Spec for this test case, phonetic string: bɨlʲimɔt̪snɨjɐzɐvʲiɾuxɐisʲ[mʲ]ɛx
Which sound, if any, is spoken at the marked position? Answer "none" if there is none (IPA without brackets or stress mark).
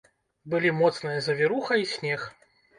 nʲ